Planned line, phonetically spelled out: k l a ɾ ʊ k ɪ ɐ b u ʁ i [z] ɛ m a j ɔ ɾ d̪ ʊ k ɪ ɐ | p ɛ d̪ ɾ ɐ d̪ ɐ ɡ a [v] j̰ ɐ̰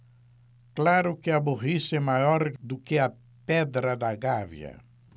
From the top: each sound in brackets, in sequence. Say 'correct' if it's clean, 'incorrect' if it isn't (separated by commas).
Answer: incorrect, correct